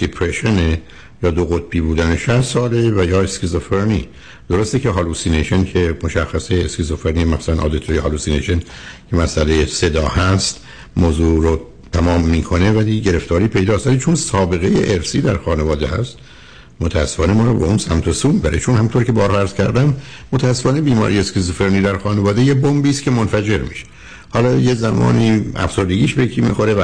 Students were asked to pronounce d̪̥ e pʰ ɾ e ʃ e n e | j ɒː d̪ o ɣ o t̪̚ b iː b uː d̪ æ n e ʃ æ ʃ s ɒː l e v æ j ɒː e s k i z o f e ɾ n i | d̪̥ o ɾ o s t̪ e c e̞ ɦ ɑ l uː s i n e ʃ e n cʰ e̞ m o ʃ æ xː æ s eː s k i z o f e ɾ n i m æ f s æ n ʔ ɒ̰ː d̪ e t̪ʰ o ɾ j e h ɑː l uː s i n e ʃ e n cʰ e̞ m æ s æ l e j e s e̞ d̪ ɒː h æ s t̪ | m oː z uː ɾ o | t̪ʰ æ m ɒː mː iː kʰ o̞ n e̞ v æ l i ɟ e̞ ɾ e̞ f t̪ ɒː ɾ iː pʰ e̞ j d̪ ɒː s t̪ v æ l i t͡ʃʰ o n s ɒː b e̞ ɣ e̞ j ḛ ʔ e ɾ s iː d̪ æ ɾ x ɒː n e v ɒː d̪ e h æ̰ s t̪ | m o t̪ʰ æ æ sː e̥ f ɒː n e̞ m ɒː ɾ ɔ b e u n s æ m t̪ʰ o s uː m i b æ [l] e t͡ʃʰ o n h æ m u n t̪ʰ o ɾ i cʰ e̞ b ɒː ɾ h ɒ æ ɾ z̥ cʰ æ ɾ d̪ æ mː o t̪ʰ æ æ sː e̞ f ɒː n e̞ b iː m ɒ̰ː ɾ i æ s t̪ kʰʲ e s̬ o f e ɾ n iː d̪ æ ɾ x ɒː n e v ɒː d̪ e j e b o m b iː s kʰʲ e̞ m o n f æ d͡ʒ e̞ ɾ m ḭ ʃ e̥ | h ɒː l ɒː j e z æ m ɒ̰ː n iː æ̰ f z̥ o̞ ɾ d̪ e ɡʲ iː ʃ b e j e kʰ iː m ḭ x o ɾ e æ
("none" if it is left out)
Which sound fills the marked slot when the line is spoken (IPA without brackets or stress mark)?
ɾ